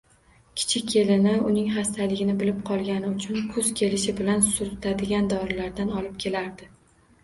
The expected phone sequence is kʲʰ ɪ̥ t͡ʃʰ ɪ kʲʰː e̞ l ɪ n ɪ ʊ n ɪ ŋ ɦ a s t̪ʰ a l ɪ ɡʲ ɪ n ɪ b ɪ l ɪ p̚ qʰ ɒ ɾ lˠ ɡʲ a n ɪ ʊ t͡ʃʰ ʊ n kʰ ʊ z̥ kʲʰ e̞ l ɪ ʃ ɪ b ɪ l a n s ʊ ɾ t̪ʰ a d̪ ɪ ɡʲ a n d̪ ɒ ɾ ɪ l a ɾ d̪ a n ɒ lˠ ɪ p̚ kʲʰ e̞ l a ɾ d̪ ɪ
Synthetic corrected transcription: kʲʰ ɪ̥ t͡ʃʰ ɪ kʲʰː e̞ l ɪ n ɪ ʊ n ɪ ŋ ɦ a s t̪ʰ a l ɪ ɡʲ ɪ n ɪ b ɪ l ɪ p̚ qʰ ɒ lˠ ɡʲ a n ɪ ʊ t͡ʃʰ ʊ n kʰ ʊ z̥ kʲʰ e̞ l ɪ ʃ ɪ b ɪ l a n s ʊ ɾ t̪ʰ a d̪ ɪ ɡʲ a n d̪ ɒ ɾ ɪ l a ɾ d̪ a n ɒ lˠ ɪ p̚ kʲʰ e̞ l a ɾ d̪ ɪ